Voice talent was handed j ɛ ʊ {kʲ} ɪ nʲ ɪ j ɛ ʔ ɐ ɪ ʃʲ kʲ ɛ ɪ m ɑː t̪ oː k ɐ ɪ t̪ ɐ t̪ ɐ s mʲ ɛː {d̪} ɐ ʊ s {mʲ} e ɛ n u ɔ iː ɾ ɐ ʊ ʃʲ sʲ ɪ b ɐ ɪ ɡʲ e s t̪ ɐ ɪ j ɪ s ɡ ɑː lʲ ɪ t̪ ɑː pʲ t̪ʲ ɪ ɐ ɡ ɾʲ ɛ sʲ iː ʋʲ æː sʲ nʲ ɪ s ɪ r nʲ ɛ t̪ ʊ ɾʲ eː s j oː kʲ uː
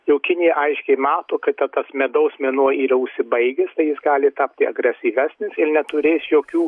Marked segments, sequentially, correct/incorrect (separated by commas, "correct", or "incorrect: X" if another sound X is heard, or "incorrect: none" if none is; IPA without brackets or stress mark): correct, correct, correct